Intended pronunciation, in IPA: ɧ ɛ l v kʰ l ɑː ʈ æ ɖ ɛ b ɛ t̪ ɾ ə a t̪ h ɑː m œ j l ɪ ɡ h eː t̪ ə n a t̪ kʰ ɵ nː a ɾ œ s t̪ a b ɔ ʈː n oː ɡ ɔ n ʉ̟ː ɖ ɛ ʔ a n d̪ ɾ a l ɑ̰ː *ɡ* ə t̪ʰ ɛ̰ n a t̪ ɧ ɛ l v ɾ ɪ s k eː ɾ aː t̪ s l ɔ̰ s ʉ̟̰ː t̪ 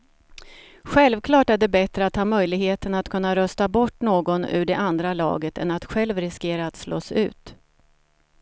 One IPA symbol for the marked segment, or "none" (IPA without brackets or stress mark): ɡ